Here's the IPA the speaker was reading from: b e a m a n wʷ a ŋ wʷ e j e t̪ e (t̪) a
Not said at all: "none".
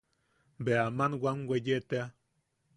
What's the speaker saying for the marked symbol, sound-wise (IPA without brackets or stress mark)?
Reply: none